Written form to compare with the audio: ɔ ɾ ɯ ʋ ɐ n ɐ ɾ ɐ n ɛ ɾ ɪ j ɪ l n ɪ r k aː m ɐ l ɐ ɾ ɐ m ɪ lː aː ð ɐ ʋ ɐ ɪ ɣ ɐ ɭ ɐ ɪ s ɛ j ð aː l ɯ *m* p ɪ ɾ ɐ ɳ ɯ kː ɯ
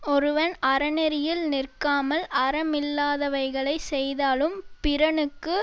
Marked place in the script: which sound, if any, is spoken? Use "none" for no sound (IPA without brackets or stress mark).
m